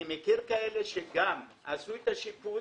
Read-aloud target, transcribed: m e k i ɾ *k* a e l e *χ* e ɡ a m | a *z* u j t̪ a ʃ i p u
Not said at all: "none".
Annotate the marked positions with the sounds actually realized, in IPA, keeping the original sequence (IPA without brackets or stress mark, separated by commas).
k, ʃ, s